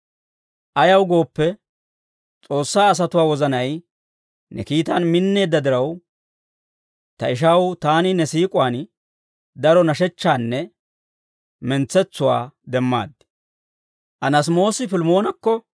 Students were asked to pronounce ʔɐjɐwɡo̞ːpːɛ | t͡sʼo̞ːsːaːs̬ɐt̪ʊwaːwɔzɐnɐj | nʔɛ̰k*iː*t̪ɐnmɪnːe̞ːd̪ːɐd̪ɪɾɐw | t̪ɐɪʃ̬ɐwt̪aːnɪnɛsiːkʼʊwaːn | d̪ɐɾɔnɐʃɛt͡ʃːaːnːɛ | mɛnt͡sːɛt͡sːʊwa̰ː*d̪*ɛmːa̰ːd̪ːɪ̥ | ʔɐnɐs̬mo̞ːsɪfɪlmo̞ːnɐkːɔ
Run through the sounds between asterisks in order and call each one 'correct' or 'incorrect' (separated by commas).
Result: correct, correct